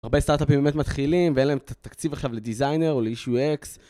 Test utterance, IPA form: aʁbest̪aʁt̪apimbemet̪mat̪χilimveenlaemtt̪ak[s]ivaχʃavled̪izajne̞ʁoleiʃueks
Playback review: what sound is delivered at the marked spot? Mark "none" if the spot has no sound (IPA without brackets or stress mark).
t͡s